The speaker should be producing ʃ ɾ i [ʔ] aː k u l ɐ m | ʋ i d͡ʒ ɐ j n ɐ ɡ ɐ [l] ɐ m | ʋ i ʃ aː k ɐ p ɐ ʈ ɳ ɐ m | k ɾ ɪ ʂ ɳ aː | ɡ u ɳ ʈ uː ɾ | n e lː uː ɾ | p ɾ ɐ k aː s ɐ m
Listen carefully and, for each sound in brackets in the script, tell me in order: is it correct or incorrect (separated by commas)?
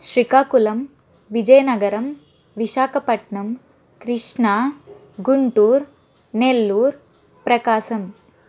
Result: incorrect, incorrect